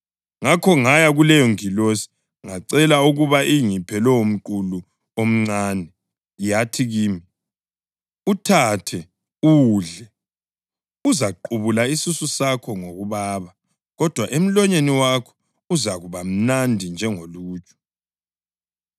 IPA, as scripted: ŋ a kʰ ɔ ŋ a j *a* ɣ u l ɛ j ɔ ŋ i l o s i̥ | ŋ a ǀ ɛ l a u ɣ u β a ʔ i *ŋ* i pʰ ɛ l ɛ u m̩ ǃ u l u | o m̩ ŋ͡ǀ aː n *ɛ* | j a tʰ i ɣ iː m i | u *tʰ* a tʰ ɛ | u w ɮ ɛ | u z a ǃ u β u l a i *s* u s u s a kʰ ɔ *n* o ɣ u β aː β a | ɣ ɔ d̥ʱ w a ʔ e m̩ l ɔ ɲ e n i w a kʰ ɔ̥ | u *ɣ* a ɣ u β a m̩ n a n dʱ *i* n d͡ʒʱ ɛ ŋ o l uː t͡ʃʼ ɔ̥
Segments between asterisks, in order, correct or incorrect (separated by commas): correct, correct, correct, correct, correct, incorrect, incorrect, correct